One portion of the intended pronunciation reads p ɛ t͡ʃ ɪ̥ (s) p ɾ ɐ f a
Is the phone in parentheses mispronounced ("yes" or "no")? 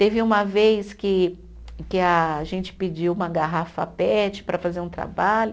yes